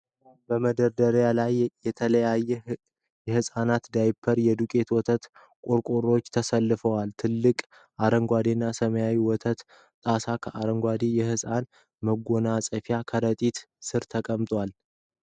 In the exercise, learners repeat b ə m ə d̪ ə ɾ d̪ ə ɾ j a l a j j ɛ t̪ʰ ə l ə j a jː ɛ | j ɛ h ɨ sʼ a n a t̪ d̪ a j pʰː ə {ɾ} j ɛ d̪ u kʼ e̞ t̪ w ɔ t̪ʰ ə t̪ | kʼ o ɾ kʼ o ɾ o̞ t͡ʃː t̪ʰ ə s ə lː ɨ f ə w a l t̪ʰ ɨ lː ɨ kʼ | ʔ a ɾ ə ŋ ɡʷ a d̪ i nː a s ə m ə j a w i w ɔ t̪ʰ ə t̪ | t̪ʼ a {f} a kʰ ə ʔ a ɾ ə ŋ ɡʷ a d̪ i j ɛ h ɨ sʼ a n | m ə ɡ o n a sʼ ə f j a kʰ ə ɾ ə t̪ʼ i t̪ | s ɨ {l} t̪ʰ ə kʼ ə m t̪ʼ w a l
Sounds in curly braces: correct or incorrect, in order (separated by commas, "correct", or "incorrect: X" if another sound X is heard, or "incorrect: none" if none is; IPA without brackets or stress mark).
correct, incorrect: s, incorrect: ɾ